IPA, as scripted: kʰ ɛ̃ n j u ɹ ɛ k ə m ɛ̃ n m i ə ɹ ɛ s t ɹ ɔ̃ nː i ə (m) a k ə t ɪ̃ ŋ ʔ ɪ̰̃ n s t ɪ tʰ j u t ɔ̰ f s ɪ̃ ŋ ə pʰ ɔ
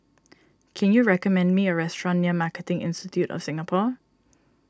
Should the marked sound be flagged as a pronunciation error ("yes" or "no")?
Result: no